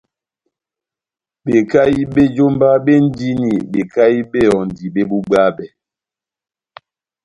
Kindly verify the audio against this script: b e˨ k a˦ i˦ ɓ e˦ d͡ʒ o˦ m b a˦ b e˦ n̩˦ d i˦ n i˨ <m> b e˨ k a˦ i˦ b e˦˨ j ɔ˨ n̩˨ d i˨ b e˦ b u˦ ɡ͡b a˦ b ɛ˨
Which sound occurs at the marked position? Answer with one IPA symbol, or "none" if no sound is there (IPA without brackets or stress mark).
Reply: none